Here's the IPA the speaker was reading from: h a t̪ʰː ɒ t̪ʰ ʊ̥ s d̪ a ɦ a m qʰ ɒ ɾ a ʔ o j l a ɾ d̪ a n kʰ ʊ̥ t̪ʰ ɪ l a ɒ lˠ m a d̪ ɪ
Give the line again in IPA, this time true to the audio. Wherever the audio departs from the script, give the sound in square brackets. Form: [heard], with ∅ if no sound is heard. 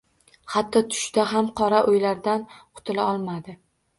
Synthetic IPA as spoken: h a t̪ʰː ɒ t̪ʰ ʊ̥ [ʃ] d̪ a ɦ a m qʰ ɒ ɾ a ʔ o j l a ɾ d̪ a n [qʰ] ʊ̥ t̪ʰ ɪ l a ɒ lˠ m a d̪ ɪ